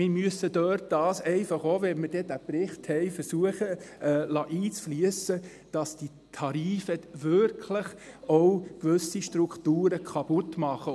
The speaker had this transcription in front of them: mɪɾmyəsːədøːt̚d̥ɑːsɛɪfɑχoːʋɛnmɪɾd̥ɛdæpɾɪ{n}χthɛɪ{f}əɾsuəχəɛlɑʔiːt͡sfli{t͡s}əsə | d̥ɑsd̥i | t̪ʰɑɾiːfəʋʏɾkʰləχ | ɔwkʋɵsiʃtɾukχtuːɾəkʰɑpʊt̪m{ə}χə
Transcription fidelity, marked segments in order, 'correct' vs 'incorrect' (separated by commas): incorrect, correct, incorrect, incorrect